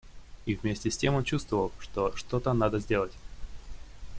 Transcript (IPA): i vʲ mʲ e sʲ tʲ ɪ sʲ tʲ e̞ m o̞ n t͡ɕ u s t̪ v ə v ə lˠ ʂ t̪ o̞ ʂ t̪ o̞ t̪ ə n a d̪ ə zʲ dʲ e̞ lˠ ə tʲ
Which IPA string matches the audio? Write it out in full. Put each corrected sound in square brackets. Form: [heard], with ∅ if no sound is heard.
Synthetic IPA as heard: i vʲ mʲ e sʲ tʲ ɪ sʲ tʲ e̞ m o̞ n t͡ɕ u s t̪ v ə v ə lˠ ʂ t̪ o̞ ʂ t̪ o̞ t̪ ə n a d̪ ə zʲ dʲ e̞ lˠ ə tʲ